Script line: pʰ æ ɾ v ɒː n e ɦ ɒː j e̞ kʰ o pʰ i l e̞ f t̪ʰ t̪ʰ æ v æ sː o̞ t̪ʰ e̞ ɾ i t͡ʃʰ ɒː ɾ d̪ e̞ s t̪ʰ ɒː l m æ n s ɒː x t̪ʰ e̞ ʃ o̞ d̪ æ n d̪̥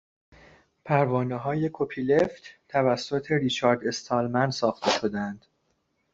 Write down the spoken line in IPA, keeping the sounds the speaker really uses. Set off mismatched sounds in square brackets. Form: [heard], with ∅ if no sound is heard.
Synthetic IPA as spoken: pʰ æ ɾ v ɒː n e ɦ ɒː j e̞ kʰ o pʰ i l e̞ f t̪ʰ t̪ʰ æ v æ sː o̞ t̪ʰ e̞ ɾ i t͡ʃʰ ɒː ɾ d̪ e̞ s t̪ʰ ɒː l m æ n s ɒː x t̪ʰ e̞ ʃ o̞ d̪ æ n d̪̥